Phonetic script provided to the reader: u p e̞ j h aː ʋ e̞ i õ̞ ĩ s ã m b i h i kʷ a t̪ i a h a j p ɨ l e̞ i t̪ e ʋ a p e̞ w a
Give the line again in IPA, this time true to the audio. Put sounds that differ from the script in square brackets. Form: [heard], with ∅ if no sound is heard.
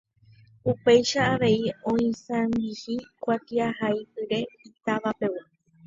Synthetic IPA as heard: u p e̞ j [ʃ] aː ʋ e̞ i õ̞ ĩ s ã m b i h i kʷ a t̪ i a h a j p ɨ [ɾ] e̞ i t̪ [a] ʋ a p e̞ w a